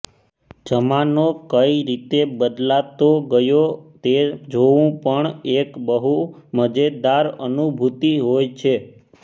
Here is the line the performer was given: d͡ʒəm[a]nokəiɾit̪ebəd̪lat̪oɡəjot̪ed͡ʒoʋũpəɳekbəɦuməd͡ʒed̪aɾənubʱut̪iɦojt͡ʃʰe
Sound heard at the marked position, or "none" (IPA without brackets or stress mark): a